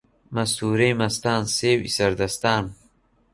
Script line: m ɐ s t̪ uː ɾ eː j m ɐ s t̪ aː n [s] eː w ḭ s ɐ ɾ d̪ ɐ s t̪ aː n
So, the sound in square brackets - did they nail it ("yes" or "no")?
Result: yes